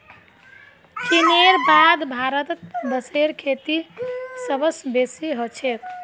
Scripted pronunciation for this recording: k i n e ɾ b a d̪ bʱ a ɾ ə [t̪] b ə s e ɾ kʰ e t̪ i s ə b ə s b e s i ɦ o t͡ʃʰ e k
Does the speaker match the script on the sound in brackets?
yes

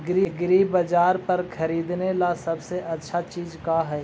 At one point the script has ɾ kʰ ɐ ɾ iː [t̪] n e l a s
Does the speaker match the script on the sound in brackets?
no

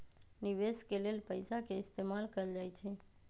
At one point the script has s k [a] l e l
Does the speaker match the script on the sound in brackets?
no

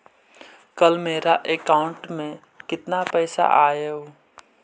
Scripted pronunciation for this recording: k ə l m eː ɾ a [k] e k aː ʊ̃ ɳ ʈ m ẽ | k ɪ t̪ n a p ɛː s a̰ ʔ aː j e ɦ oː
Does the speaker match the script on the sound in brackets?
no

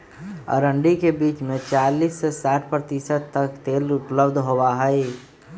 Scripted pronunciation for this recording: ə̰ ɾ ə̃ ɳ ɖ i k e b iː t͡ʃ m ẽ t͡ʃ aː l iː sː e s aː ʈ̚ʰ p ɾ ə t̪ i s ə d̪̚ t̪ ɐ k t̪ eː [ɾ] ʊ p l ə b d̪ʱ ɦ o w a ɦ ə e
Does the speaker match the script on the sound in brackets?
no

